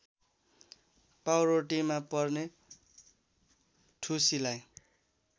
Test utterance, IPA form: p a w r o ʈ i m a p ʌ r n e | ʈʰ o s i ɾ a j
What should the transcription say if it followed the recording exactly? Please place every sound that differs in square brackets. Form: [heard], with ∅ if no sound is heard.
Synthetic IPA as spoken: p a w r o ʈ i m a p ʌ r n e | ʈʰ [u] s i [l] a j

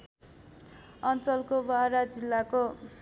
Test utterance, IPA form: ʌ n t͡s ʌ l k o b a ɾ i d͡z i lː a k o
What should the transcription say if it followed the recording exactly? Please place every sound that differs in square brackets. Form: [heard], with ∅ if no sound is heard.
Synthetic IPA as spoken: ʌ n t͡s ʌ l k o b a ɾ [a] d͡z i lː a k o

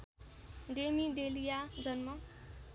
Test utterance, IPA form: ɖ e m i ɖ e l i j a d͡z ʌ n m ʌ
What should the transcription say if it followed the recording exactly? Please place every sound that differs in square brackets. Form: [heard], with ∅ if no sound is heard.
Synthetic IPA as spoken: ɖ e m i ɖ e l i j a d͡z ʌ n m ʌ

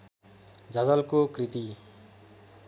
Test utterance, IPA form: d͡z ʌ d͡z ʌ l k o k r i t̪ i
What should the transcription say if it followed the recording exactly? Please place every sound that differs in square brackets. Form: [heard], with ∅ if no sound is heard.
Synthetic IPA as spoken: d͡z ʌ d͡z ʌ l k o k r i t̪ i

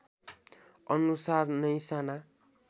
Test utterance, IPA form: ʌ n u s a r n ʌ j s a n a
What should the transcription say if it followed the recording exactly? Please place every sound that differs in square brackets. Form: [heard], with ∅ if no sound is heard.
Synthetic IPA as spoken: ʌ n u s a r n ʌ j s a n a

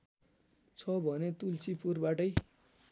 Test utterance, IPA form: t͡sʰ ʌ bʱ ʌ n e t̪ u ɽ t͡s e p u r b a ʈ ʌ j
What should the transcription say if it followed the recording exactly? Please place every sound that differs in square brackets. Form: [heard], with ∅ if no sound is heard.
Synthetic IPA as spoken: t͡sʰ ʌ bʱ ʌ n e t̪ u [l] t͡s [i] p u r b a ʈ ʌ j

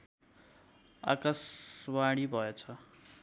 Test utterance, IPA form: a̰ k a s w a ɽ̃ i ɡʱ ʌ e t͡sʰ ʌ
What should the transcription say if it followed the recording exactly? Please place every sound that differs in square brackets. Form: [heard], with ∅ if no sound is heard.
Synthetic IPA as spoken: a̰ k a s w a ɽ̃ i [bʱ] ʌ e t͡sʰ ʌ

